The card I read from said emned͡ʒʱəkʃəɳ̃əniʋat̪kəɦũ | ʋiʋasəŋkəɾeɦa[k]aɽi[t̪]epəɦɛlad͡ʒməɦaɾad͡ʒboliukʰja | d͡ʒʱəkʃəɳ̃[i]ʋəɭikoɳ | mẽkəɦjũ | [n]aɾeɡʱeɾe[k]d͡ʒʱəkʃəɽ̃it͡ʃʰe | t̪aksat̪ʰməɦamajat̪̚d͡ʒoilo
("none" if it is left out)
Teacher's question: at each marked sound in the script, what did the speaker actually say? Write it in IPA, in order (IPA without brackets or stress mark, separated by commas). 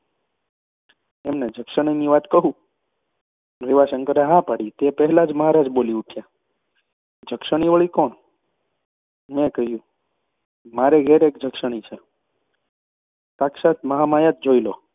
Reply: p, t̪, i, m, k